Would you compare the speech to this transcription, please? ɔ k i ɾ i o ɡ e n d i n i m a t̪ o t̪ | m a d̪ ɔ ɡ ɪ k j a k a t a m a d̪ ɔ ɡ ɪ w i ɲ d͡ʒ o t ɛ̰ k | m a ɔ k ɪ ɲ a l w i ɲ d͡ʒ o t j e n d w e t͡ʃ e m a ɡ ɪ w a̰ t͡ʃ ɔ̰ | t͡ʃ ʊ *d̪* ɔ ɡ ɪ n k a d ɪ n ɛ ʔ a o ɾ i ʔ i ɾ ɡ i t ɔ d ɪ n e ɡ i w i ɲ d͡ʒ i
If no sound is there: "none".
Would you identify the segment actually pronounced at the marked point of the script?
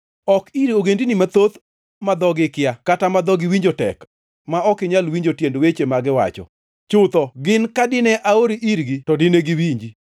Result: t̪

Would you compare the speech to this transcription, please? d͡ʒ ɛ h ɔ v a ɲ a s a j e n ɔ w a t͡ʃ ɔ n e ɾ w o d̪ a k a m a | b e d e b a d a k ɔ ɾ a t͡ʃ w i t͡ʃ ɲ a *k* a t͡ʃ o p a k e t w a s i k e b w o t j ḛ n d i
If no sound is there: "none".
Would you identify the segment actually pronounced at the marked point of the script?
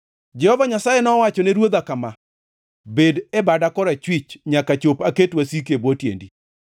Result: k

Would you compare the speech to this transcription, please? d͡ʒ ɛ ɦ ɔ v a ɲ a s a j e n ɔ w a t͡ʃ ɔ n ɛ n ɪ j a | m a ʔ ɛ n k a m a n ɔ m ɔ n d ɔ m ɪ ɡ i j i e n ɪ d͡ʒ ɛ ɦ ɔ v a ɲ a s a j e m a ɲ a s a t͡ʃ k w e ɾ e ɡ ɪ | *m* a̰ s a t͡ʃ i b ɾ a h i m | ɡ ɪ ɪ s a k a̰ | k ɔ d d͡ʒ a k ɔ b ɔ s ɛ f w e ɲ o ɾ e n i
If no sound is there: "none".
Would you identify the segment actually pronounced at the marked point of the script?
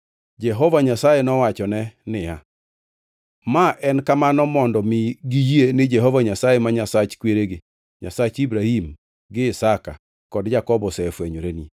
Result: ɲ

